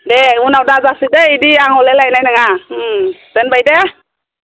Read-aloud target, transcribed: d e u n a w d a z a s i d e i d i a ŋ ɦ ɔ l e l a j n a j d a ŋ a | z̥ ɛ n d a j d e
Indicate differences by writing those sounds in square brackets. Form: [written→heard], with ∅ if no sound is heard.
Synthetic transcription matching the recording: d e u n a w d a z a s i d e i d i a ŋ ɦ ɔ l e l a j n a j [d→n] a ŋ a | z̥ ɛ n [d→b] a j d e